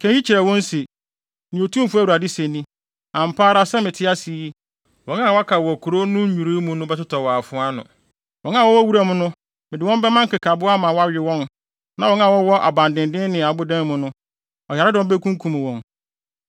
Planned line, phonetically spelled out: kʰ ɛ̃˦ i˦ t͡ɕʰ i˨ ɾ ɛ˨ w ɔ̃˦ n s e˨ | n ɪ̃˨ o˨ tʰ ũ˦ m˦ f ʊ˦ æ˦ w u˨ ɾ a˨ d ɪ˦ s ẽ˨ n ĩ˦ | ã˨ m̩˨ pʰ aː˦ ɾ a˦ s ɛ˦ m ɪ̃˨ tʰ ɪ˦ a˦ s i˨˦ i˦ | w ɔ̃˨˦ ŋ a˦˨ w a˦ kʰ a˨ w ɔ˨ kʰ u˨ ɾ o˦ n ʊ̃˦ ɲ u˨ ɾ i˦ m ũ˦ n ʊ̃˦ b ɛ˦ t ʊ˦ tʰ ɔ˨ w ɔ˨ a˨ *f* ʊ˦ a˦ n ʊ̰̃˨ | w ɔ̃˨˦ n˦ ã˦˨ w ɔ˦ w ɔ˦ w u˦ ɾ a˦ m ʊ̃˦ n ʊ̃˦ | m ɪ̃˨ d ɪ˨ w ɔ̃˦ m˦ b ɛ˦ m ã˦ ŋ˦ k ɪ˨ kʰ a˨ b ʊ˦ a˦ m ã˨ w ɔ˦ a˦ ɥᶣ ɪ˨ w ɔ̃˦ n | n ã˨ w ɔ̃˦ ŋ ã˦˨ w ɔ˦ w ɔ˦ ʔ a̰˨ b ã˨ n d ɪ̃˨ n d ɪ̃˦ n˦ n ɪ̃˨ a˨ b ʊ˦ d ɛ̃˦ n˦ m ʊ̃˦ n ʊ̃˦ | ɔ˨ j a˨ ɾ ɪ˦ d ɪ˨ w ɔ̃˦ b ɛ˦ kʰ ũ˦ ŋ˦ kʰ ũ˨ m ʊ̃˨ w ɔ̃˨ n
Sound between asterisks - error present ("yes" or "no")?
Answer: no